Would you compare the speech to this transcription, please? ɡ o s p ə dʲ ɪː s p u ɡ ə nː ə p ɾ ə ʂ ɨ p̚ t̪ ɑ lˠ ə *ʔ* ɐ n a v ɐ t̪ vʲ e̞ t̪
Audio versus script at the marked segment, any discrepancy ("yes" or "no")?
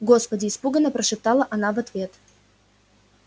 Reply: no